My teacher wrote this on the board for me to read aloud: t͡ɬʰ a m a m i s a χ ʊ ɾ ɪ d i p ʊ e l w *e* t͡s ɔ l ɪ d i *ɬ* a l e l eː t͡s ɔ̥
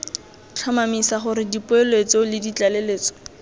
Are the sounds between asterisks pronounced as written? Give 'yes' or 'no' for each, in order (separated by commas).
yes, no